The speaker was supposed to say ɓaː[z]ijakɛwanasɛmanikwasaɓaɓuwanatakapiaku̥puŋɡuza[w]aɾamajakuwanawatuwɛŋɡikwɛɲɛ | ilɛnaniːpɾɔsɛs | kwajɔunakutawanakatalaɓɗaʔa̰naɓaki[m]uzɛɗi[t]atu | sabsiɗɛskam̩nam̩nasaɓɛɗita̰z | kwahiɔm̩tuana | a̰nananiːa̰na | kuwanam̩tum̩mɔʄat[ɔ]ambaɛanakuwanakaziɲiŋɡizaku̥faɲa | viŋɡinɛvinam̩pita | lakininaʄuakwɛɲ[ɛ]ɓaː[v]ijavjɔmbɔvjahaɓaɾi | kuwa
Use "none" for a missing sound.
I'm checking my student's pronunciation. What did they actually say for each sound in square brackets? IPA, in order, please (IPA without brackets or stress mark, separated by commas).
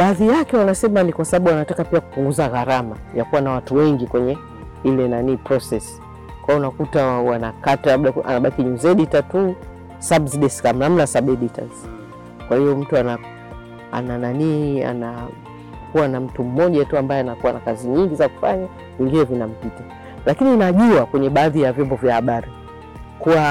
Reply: ð, ɣ, ɲ, t, u, ɛ, ð